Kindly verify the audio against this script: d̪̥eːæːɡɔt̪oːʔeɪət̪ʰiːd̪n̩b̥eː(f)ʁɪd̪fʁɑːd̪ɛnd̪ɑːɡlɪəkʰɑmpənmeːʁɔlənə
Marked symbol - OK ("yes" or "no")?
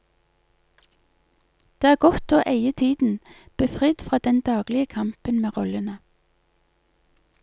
yes